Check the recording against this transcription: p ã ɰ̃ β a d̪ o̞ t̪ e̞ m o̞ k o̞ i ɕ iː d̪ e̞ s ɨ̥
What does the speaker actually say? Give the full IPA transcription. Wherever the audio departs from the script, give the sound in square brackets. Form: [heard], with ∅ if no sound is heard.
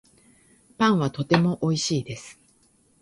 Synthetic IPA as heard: p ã ɰ̃ β a [t̪] o̞ t̪ e̞ m o̞ [ʔ] o̞ i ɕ iː d̪ e̞ s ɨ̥